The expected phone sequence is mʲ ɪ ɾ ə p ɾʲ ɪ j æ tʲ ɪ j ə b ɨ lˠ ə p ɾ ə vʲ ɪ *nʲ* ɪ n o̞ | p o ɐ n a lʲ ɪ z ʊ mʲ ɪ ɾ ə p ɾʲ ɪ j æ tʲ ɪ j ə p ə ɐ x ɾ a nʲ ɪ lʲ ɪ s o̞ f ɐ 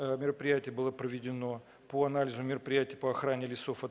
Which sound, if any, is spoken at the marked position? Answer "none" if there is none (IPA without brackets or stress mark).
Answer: dʲ